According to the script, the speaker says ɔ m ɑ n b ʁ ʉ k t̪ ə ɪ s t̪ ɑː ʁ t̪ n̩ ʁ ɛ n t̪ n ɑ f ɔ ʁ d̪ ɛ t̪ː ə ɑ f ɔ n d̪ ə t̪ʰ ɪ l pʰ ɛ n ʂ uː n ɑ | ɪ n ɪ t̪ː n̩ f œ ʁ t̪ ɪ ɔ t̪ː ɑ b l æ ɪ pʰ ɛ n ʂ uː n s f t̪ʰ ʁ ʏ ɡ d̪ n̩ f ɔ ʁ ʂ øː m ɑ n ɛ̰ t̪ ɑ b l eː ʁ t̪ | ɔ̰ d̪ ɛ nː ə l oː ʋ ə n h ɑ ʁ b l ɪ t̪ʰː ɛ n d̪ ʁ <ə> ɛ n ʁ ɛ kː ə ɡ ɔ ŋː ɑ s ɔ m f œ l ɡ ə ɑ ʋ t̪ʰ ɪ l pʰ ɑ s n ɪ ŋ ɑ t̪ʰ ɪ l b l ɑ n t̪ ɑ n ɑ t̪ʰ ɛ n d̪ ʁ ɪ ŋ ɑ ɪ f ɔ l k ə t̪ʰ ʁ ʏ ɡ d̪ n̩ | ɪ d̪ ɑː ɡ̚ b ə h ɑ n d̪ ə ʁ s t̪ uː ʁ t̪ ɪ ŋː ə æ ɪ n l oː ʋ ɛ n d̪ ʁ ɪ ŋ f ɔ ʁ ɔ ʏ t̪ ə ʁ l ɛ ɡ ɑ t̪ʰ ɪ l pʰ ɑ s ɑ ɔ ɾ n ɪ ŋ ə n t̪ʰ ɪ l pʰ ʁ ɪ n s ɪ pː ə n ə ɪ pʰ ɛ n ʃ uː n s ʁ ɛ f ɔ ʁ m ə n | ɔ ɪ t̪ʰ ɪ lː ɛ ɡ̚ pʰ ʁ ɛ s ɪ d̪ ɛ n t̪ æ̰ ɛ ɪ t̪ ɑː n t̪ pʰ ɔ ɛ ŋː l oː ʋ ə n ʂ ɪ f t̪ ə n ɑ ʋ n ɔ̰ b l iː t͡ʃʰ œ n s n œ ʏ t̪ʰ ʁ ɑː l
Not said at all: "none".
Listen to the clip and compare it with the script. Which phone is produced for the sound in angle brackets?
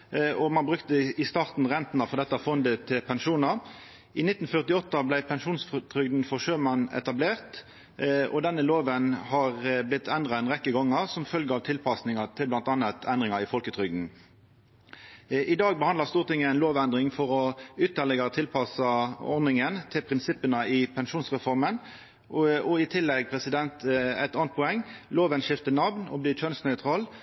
ɑ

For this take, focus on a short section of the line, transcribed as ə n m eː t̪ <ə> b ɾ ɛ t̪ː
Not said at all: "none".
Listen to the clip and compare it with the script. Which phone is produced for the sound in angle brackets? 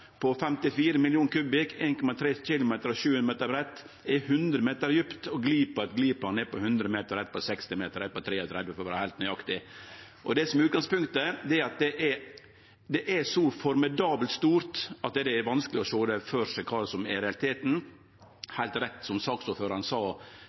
ə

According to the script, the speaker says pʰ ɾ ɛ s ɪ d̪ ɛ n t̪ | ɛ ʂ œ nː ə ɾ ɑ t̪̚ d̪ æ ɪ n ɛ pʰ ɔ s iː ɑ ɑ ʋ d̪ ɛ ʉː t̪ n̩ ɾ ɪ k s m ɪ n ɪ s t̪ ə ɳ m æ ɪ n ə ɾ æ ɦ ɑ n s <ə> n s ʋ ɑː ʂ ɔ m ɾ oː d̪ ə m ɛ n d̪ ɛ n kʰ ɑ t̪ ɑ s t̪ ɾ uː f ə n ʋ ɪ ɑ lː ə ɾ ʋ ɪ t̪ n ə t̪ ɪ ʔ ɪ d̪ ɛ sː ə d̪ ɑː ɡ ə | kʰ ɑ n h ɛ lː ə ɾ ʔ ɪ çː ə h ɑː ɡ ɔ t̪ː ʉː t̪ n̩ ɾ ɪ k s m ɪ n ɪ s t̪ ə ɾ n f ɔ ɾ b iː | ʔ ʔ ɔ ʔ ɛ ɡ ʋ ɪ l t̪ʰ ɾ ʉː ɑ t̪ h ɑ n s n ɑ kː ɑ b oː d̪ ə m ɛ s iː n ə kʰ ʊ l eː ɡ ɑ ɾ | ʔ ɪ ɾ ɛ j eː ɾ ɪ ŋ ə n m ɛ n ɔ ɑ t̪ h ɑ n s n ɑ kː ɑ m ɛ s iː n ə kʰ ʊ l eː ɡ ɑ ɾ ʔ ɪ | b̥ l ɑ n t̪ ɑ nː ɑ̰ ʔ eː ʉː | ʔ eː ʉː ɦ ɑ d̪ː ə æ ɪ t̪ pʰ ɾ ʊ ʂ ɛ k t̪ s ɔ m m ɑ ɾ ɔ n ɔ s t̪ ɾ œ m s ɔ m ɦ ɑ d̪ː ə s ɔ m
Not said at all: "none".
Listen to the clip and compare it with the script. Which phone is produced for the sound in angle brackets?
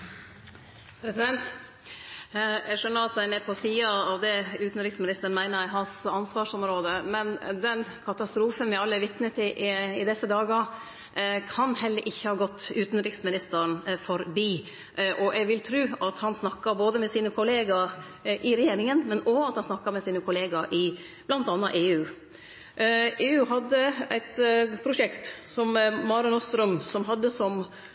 ɑ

